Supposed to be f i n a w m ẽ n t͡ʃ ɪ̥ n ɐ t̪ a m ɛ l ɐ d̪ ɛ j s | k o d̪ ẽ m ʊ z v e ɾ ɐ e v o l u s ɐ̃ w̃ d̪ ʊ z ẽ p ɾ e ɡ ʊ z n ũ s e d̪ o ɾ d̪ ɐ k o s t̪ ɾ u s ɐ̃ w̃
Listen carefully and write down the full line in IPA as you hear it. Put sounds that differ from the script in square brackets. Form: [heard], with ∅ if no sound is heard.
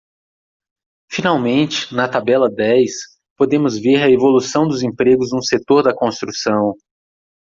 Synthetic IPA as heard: f i n a w m ẽ n t͡ʃ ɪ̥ n ɐ t̪ a [b] ɛ l ɐ d̪ ɛ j s | [p] o d̪ ẽ m ʊ z v e ɾ ɐ e v o l u s ɐ̃ w̃ d̪ ʊ z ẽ p ɾ e ɡ ʊ z n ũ s e [t̪] o ɾ d̪ ɐ k [õ] s t̪ ɾ u s ɐ̃ w̃